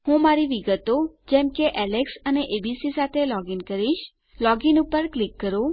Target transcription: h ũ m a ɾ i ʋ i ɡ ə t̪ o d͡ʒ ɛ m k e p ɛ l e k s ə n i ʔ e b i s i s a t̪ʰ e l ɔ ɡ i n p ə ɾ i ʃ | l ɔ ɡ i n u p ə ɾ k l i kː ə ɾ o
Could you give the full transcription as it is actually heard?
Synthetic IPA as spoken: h ũ m a ɾ i ʋ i ɡ ə t̪ o d͡ʒ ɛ m k e ʔ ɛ l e k s ə n e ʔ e b i s i s a t̪ʰ e l ɔ ɡ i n k ə ɾ i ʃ | l ɔ ɡ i n u p ə ɾ k l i kː ə ɾ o